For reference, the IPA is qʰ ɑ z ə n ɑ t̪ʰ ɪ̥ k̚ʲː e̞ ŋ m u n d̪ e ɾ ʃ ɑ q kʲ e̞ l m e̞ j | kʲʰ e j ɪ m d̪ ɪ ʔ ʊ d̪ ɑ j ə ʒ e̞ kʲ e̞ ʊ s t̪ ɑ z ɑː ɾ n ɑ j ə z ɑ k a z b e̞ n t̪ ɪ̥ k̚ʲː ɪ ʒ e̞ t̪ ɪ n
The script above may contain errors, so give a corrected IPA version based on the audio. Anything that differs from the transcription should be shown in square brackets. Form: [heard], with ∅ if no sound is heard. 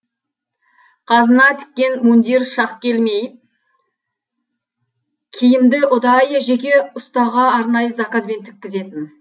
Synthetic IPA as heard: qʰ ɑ z ə n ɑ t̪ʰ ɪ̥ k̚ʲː e̞ [n] m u n d̪ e ɾ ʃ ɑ q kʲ e̞ l m e̞ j | kʲʰ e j ɪ m d̪ ɪ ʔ ʊ d̪ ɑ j ə ʒ e̞ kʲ e̞ ʊ s t̪ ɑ [ʁ] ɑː ɾ n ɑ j ə z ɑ k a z b e̞ n [t̪ʰ] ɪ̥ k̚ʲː ɪ [z] e̞ t̪ ɪ n

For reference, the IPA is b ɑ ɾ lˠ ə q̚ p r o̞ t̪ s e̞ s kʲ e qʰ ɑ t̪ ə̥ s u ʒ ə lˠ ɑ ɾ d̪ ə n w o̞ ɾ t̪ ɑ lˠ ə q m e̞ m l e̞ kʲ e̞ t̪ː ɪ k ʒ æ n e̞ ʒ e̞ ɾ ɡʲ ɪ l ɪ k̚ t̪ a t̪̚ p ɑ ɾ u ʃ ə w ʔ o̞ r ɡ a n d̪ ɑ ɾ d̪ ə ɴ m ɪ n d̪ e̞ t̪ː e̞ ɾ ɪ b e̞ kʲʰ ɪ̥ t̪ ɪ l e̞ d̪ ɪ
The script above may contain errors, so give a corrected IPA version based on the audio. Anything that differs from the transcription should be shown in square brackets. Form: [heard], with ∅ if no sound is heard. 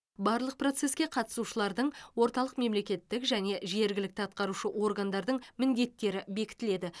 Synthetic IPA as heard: b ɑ ɾ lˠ ə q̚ p r o̞ t̪ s e̞ s kʲ e qʰ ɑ t̪ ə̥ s u [ʃ] ə lˠ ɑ ɾ d̪ ə [ɴ] w o̞ ɾ t̪ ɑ lˠ ə q m e̞ m l e̞ kʲ e̞ t̪ː ɪ k ʒ æ n e̞ ʒ e̞ ɾ ɡʲ ɪ l ɪ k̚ t̪ [ɑ] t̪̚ [q] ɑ ɾ u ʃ ə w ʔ o̞ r ɡ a n d̪ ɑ ɾ d̪ ə ɴ m ɪ n d̪ e̞ t̪ː e̞ ɾ ɪ b e̞ [kʲ] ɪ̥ t̪ ɪ l e̞ d̪ ɪ

